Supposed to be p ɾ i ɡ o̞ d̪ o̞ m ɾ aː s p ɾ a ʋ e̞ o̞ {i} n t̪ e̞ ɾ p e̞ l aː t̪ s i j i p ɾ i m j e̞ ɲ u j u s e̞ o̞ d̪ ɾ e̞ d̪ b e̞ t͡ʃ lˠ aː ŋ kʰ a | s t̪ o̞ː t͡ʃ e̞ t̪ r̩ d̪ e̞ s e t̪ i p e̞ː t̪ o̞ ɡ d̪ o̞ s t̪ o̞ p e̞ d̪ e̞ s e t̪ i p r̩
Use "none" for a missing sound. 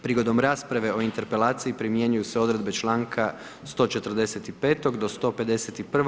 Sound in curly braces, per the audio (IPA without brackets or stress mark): i